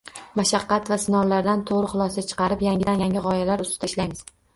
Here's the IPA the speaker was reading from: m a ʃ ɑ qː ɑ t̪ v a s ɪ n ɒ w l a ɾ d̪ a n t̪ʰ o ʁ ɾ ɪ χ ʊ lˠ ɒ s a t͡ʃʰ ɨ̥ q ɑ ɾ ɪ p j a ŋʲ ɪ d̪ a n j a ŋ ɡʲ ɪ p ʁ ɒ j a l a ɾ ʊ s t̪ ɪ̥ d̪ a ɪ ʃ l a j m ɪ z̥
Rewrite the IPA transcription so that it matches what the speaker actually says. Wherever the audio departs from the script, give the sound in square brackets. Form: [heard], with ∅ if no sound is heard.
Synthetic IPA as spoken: m a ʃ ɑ qː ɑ t̪ v a s ɪ n ɒ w l a ɾ d̪ a n t̪ʰ o ʁ ɾ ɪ χ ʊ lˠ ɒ s a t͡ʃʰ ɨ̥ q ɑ ɾ ɪ p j a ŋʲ ɪ d̪ a n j a ŋ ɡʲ ɪ [∅] ʁ ɒ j a l a ɾ ʊ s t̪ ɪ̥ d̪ a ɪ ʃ l a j m ɪ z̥